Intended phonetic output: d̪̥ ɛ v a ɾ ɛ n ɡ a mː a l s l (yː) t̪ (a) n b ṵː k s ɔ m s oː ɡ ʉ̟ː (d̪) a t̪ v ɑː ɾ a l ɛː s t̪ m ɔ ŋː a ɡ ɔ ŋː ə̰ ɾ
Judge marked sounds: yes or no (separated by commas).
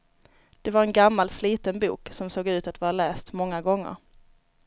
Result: no, no, no